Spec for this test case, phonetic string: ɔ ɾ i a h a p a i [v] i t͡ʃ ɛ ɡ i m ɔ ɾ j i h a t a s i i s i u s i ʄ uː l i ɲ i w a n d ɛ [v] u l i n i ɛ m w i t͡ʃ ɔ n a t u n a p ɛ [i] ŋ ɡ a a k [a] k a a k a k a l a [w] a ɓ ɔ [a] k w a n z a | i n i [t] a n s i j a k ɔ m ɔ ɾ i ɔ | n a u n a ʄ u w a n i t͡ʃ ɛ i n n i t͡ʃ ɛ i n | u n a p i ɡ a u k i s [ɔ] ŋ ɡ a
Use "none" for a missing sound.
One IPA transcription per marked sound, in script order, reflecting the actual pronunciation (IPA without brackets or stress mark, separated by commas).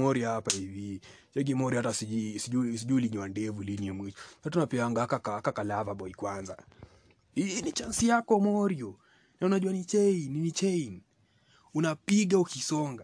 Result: v, v, a, a, v, i, t͡ʃ, ɔ